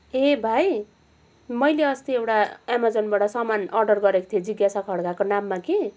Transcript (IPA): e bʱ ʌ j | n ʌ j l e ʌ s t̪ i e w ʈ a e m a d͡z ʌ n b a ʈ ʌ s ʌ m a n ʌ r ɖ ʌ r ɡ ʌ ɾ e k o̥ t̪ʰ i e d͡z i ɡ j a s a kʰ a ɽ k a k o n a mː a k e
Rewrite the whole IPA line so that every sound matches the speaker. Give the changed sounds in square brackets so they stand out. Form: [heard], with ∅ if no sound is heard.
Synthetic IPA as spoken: e bʱ [a] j | [m] ʌ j l e ʌ s t̪ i e w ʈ a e m a d͡z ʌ n b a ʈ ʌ s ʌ m a n ʌ r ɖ ʌ r ɡ ʌ ɾ e k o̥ t̪ʰ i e d͡z i ɡ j a s a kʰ [ʌ] ɽ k a k o n a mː a k e

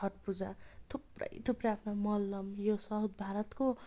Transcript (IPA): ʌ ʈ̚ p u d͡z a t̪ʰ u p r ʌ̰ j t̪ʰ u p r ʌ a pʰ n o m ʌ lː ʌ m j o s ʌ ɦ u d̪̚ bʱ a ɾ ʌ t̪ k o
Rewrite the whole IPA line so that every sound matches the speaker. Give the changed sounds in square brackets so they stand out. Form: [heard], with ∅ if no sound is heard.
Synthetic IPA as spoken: ʌ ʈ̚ p u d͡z a t̪ʰ u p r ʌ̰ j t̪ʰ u p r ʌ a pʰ n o m ʌ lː ʌ m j o s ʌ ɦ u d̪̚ bʱ a ɾ ʌ t̪ k o

